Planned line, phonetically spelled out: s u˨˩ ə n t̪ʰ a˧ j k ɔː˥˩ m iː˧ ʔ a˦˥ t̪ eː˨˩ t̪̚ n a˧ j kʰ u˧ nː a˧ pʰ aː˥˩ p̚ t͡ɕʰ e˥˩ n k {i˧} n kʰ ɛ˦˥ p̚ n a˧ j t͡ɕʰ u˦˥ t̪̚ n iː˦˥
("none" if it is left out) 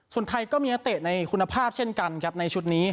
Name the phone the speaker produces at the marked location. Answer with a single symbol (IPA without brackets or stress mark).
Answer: a˧